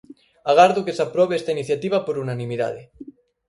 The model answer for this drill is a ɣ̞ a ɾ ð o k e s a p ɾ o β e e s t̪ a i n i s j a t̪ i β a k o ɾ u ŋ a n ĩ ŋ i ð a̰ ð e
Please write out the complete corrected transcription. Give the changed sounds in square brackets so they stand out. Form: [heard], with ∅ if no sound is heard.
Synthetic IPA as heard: a ɣ̞ a ɾ ð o k e s a p ɾ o β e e s t̪ a i n i [θ] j a t̪ i β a [p] o ɾ u [n] a n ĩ [m] i ð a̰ ð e